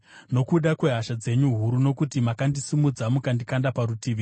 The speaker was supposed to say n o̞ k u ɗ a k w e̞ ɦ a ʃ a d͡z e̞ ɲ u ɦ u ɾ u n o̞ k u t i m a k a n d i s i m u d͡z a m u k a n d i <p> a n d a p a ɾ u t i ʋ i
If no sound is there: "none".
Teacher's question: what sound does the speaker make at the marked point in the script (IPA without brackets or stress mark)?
k